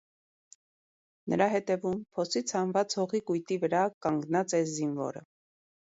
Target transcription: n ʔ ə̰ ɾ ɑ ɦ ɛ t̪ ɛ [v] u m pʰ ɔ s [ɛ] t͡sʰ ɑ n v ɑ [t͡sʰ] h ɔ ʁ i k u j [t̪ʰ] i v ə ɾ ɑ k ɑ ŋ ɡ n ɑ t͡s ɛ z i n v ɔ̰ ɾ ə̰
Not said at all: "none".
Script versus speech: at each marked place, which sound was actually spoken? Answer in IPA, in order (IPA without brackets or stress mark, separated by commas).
v, i, t͡s, t̪